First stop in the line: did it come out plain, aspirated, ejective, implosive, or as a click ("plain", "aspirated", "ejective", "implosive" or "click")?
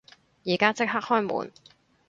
plain